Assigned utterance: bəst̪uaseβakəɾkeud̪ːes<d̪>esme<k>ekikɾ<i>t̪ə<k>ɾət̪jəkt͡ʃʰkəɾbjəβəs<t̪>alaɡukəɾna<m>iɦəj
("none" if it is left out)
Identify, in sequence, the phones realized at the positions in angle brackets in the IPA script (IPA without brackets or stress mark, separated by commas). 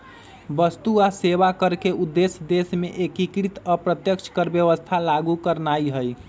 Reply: d̪, ʔ, i, p, t̪ʰ, none